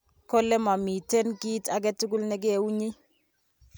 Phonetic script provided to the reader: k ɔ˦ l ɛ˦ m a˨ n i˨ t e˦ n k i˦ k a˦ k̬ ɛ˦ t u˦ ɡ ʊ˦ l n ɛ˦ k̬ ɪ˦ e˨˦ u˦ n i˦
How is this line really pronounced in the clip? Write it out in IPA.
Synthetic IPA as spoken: k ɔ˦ l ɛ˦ m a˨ m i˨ t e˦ n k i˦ t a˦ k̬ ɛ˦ t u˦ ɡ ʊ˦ l n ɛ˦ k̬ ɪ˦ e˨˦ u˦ ɲ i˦